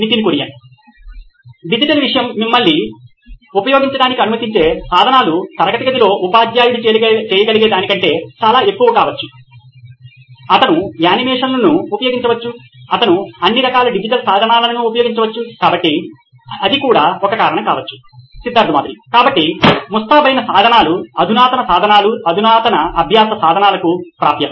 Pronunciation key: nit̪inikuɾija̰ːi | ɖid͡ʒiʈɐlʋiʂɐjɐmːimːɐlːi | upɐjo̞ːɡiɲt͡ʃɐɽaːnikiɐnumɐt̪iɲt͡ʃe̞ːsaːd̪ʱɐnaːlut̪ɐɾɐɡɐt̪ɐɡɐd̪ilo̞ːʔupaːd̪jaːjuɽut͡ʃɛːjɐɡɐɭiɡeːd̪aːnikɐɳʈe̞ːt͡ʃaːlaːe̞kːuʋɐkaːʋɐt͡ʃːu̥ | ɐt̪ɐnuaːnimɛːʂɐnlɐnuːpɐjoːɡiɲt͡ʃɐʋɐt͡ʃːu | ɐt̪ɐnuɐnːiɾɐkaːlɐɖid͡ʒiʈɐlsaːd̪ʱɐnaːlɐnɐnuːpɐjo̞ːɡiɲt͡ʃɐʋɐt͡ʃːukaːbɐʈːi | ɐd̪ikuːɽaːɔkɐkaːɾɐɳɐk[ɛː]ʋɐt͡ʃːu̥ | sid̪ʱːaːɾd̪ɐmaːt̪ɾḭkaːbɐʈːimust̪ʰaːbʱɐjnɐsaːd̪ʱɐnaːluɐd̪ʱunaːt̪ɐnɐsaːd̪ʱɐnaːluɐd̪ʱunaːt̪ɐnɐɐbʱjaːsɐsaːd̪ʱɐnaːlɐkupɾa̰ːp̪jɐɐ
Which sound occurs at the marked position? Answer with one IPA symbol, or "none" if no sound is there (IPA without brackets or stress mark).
aː